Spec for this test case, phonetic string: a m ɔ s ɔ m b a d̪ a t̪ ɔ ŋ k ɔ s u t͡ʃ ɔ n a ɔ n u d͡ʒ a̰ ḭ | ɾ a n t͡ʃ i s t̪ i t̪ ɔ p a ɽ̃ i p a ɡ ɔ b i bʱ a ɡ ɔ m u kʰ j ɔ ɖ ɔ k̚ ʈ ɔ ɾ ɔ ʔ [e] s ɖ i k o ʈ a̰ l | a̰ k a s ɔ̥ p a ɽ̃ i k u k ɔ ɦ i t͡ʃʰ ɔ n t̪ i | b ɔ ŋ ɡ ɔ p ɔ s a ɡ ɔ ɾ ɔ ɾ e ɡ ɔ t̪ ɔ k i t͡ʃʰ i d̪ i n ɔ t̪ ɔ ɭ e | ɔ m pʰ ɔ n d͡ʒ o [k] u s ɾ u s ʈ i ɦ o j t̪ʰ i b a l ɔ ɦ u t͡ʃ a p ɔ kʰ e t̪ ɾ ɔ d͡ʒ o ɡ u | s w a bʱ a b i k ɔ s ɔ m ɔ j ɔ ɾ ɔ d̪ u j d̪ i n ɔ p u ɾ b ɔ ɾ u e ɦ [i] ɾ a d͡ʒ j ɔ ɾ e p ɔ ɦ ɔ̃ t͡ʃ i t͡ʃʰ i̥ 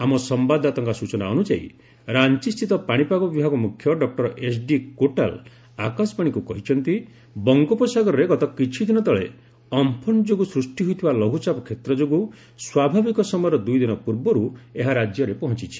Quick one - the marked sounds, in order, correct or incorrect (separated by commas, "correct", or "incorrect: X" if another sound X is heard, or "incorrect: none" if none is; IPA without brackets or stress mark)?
correct, incorrect: ɡ, incorrect: a